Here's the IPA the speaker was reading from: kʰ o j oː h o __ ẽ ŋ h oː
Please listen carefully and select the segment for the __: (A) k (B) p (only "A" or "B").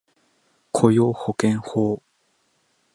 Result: A